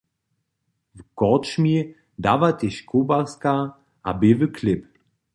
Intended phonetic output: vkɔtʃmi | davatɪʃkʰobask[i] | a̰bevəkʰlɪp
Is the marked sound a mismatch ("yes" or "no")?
yes